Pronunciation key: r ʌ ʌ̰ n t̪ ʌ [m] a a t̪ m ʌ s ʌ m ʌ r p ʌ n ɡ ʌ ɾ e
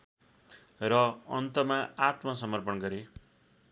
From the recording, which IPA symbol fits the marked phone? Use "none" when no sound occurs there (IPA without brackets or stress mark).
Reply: m